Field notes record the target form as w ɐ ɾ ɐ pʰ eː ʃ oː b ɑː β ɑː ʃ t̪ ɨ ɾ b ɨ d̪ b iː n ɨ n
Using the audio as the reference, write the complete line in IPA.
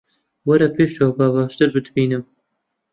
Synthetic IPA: w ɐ ɾ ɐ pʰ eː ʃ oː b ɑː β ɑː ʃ t̪ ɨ ɾ b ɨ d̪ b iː n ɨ m